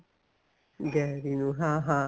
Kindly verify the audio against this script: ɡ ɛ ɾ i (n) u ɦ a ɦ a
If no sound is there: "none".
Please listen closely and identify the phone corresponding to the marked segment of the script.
n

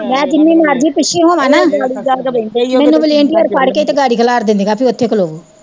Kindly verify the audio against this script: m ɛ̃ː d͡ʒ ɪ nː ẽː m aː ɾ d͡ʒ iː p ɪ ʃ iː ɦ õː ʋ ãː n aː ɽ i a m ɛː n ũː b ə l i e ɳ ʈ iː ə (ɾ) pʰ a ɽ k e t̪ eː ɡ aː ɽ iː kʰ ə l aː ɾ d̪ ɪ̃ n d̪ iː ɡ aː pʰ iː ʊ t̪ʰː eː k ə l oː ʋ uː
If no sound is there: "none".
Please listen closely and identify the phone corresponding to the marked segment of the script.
ɾ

